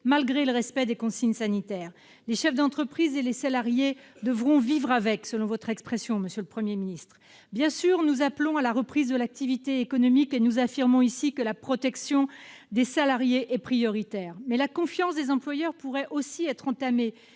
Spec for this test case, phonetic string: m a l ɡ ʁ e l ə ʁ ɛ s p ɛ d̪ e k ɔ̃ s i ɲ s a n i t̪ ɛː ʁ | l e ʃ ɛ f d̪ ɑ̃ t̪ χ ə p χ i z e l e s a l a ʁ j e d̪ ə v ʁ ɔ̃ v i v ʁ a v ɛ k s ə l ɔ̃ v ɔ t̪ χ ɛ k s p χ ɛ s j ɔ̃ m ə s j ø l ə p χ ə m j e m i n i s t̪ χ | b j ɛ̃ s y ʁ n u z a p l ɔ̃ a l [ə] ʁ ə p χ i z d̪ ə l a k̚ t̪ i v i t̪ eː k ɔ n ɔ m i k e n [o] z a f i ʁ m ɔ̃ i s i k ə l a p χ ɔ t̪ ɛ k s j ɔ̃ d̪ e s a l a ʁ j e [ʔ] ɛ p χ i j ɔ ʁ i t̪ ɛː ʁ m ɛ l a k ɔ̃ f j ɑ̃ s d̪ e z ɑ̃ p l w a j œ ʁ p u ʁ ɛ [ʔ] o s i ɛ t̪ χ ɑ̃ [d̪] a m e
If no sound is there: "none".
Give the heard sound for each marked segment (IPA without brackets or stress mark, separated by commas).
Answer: a, u, ʔ, ʔ, t̪